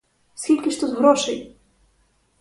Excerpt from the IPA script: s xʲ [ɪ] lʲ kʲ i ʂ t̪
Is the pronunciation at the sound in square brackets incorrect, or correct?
incorrect